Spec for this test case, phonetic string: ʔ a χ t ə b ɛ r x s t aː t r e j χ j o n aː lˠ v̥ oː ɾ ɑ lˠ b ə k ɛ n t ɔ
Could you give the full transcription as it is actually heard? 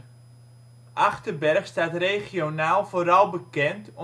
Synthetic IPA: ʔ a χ t ə b ɛ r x s t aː t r e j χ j o n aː lˠ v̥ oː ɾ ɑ lˠ b ə k ɛ n t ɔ